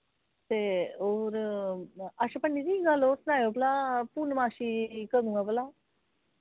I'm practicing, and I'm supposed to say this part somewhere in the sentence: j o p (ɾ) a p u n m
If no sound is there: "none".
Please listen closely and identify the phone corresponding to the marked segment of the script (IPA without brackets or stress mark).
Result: l